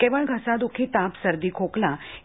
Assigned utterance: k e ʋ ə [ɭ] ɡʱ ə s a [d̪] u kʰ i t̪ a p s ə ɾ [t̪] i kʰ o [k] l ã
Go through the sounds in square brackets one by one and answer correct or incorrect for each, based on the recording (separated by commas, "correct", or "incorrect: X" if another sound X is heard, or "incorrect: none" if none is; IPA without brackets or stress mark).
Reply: correct, correct, incorrect: d̪, correct